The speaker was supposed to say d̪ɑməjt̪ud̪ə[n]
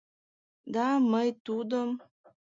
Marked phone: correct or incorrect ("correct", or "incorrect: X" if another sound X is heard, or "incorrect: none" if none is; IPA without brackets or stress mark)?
incorrect: m